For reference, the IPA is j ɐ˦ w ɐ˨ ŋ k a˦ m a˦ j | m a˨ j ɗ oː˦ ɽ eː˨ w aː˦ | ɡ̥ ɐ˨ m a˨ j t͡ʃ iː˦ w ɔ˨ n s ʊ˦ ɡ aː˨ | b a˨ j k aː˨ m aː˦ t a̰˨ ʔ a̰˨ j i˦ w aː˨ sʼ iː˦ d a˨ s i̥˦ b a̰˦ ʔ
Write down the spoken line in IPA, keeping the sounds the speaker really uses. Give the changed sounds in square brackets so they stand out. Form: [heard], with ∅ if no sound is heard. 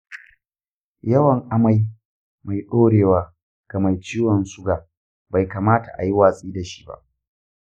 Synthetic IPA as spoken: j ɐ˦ w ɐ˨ ŋ [ʔ] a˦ m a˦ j | m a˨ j ɗ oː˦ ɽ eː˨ w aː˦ | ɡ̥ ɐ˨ m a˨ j t͡ʃ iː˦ w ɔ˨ n s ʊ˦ ɡ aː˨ | b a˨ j k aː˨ m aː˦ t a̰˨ ʔ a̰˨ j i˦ w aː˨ sʼ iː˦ d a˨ [ʃ] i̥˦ b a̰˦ ʔ

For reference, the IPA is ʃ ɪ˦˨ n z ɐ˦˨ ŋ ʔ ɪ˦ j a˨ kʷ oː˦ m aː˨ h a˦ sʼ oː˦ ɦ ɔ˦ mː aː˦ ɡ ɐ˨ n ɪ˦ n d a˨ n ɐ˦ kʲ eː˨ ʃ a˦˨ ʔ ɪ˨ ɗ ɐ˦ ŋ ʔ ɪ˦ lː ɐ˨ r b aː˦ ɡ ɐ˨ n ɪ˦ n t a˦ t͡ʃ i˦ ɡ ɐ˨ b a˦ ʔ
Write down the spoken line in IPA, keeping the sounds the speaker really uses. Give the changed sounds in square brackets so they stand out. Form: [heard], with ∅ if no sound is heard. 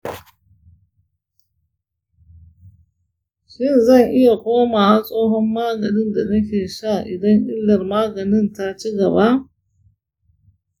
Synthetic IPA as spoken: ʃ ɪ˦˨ n z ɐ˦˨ ŋ ʔ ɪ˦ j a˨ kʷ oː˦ m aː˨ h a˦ sʼ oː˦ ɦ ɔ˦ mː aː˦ ɡ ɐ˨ n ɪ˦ n d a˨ n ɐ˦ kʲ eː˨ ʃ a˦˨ ʔ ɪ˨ [d] ɐ˦ ŋ ʔ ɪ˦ lː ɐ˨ r [m] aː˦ ɡ ɐ˨ n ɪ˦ n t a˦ t͡ʃ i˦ ɡ ɐ˨ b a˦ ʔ

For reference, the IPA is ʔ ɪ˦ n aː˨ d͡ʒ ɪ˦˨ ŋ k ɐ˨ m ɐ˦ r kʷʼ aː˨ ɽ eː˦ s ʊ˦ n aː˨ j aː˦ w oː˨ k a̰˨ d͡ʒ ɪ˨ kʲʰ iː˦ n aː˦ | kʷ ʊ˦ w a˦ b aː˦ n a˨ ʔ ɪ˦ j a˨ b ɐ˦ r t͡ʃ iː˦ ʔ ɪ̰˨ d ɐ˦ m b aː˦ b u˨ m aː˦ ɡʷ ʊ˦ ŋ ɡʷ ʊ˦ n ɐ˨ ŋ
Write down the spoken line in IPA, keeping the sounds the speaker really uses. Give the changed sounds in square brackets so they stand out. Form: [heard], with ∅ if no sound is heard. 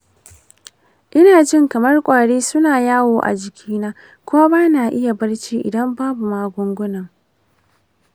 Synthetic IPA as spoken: ʔ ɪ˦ n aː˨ d͡ʒ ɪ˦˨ ŋ k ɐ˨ m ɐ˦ r kʷʼ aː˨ ɽ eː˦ s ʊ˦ n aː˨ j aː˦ w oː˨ [ʔ] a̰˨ d͡ʒ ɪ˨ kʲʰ iː˦ n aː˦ | kʷ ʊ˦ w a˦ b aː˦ n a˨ ʔ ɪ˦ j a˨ b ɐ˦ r t͡ʃ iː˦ ʔ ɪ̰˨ d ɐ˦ m b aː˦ b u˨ m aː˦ ɡʷ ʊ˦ ŋ ɡʷ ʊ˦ n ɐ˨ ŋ

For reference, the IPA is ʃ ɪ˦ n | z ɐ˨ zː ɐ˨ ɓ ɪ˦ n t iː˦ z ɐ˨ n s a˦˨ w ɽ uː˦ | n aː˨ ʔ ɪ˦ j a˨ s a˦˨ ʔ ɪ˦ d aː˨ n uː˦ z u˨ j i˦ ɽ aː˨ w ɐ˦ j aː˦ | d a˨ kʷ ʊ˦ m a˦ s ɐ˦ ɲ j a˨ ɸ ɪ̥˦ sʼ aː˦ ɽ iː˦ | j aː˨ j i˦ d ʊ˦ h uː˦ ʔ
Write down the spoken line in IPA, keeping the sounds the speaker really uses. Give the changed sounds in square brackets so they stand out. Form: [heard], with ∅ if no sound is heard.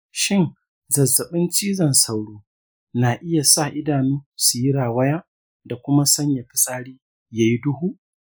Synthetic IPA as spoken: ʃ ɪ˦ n | z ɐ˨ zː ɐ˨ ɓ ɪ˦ n [t͡ʃ] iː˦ z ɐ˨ n s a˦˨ w ɽ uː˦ | n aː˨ ʔ ɪ˦ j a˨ s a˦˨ ʔ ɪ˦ d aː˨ n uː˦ [s] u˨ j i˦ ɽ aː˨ w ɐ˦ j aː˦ | d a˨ kʷ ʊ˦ m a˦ s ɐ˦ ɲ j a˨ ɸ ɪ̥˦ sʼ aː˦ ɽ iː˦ | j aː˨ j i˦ d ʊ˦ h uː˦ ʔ

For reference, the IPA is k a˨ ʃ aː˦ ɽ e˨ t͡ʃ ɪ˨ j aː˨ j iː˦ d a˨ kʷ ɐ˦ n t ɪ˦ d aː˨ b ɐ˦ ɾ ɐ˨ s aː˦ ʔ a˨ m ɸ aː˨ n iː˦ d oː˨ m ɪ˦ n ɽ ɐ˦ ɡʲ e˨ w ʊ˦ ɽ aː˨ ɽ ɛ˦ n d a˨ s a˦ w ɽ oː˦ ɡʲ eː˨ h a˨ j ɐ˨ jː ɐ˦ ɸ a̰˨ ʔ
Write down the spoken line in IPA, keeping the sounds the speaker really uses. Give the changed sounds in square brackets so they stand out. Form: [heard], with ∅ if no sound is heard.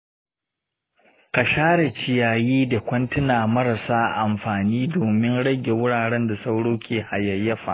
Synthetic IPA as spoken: k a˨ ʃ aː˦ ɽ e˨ t͡ʃ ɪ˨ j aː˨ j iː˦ d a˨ kʷ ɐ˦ n t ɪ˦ [n] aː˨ [m] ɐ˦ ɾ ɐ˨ s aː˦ ʔ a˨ m ɸ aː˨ n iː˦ d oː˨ m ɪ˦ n ɽ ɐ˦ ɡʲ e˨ w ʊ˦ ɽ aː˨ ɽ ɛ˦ n d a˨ s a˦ w ɽ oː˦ [kʲ] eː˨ h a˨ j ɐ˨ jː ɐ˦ ɸ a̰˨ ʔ

